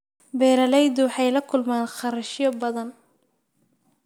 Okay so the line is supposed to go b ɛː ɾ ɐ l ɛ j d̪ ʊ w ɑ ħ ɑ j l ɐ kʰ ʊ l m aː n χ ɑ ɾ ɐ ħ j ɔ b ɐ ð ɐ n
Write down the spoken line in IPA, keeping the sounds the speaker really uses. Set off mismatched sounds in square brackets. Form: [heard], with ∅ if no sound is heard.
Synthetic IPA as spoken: b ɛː ɾ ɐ l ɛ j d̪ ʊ w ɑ ħ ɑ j l ɐ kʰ ʊ l m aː n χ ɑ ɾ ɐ [ʃ] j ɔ b ɐ ð ɐ n